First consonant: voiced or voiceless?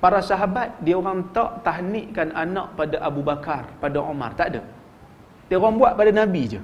voiceless